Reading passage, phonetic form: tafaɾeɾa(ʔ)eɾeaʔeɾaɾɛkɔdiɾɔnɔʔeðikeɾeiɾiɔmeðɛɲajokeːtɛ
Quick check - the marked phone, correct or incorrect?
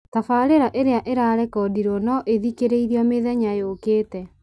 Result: correct